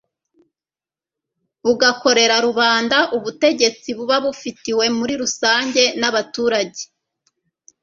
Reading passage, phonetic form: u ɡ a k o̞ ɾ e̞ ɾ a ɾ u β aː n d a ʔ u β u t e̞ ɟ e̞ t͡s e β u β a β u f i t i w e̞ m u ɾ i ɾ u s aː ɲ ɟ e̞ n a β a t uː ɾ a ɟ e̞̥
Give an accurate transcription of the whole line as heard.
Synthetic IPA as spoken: u ɡ a k o̞ ɾ e̞ ɾ a ɾ u β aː n d a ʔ u β u t e̞ ɟ e̞ t͡s i β u β a β u f i t i w e̞ m u ɾ i ɾ u s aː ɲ ɟ e̞ n a β a t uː ɾ a ɟ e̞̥